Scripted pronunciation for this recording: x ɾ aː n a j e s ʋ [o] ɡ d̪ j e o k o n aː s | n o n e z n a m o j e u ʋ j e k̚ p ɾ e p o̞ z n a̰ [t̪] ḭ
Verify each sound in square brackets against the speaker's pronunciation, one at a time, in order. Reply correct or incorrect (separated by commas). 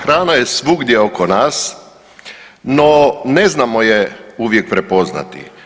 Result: incorrect, correct